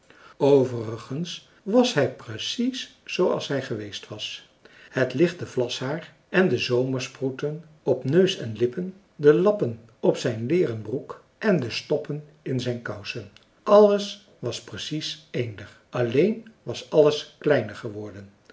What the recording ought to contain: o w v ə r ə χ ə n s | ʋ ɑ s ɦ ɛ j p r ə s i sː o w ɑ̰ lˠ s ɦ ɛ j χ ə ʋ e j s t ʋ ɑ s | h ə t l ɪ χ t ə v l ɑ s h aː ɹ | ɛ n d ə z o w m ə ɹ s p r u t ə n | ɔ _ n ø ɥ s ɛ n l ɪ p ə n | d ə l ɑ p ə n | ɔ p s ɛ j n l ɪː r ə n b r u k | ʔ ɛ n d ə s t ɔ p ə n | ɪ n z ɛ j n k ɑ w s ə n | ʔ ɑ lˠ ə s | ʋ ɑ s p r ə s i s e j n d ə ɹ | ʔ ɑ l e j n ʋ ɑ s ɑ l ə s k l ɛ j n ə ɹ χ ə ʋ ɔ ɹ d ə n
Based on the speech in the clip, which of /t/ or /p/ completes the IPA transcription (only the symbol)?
p